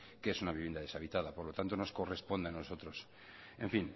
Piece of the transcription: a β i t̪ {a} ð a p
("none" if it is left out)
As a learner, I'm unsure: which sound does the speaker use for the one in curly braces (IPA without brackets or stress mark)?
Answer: a